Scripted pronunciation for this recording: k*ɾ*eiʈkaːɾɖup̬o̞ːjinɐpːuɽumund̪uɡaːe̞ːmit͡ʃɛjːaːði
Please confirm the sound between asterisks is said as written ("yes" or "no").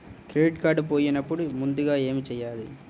yes